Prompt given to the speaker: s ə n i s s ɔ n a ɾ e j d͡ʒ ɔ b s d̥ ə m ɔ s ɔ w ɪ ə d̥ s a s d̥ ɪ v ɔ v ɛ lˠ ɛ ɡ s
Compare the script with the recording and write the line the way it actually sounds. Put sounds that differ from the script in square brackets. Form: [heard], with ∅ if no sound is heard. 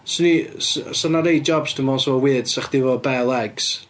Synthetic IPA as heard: s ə n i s s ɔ n a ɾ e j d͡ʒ ɔ b s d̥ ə m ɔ s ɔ w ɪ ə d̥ s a [χ] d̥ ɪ v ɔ [b] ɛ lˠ ɛ ɡ s